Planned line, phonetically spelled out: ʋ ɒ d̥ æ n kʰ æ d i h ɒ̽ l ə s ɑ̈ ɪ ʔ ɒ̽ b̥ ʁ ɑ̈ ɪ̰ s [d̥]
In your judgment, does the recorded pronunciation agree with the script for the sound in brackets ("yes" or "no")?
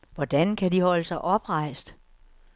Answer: yes